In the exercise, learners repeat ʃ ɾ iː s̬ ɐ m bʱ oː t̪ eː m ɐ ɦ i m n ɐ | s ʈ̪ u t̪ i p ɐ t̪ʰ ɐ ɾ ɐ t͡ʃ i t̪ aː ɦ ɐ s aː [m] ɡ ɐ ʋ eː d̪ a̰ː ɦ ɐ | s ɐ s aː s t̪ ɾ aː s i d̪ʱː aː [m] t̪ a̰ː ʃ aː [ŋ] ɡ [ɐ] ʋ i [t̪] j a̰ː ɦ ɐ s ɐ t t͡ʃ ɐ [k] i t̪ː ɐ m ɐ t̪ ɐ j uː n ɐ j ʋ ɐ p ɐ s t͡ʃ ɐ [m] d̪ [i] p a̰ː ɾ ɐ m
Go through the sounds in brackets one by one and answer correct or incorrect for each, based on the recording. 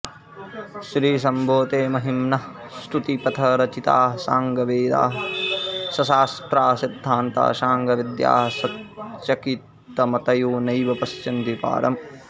incorrect: ŋ, incorrect: n, correct, correct, incorrect: d̪, correct, incorrect: n, correct

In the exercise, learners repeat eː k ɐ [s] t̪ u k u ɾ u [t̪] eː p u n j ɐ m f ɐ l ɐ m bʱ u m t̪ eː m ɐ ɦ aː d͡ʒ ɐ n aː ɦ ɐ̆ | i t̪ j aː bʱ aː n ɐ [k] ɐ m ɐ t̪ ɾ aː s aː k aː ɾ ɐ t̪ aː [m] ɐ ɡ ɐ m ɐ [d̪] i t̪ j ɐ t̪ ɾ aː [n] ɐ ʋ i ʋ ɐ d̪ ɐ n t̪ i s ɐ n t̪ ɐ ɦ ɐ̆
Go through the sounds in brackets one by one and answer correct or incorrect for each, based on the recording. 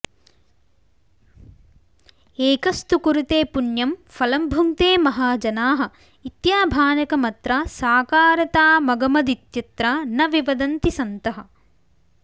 correct, correct, correct, correct, correct, correct

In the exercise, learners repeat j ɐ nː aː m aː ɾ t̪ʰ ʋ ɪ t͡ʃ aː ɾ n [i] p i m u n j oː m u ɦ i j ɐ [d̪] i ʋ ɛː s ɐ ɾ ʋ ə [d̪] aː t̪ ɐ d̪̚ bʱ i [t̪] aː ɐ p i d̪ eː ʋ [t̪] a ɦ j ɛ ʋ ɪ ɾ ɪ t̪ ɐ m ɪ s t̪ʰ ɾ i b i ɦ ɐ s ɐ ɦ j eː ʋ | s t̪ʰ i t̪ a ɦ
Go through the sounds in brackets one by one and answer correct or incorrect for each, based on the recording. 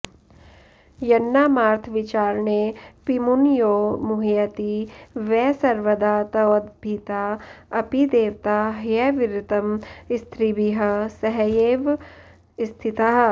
incorrect: e, incorrect: t̪, correct, correct, correct

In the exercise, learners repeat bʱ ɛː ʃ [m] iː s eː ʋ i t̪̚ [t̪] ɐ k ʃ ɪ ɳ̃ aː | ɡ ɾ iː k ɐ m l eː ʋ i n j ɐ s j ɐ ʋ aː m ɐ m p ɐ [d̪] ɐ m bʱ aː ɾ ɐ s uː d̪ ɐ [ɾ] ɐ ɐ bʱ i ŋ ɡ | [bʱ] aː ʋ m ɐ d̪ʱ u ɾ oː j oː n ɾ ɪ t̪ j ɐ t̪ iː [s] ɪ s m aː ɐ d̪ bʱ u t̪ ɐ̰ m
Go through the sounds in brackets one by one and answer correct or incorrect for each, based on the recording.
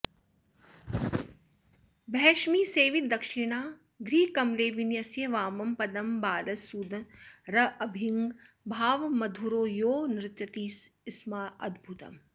correct, incorrect: d̪, correct, correct, correct, correct

